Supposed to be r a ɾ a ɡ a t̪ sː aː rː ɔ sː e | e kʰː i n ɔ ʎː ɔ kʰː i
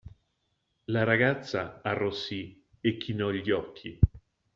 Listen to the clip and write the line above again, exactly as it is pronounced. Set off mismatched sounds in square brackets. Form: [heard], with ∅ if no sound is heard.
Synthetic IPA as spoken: [l] a ɾ a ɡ a t̪ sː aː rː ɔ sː [i] | e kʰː i n ɔ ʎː ɔ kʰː i